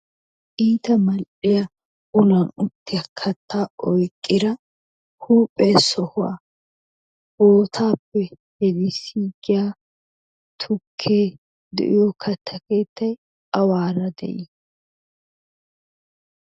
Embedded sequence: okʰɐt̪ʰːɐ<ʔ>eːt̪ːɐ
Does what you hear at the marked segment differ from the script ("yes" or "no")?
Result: yes